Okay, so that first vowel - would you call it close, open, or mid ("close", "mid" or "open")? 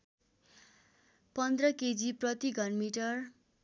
mid